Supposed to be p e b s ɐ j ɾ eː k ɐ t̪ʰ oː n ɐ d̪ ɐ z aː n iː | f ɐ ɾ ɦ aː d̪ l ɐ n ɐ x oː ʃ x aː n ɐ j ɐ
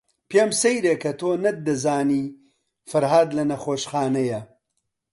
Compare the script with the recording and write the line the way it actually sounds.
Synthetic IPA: p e m s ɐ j ɾ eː k ɐ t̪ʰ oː n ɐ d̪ ɐ z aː n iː | f ɐ ɾ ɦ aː d̪ l ɐ n ɐ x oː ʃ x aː n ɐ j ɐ